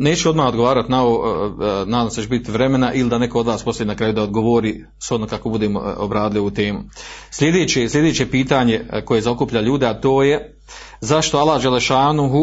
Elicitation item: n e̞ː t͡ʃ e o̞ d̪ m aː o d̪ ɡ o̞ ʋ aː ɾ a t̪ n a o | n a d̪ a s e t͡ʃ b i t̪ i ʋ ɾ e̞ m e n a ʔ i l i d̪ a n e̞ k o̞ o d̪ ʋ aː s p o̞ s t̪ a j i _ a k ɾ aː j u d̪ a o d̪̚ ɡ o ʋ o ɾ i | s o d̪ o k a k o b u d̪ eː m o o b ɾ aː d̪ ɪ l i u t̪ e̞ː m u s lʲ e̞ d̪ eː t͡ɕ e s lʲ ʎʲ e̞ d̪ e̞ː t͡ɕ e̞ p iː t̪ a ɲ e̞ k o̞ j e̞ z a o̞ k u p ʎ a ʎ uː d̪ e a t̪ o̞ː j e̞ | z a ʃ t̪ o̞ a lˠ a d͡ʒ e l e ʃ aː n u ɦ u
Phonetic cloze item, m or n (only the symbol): n